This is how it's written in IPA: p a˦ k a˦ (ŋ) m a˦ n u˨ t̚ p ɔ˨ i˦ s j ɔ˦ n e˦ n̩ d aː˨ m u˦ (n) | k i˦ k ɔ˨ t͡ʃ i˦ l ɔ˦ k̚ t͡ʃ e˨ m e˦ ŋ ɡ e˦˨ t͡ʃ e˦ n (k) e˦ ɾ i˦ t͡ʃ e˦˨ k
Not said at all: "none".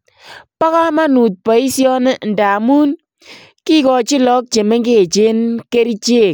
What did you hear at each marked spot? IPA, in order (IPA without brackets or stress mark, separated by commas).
none, n, k